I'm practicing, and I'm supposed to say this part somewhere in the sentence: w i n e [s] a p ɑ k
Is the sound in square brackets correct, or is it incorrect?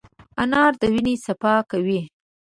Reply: correct